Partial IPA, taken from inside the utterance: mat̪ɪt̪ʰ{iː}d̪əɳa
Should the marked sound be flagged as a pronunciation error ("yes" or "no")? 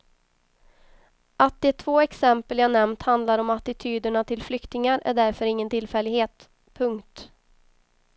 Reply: yes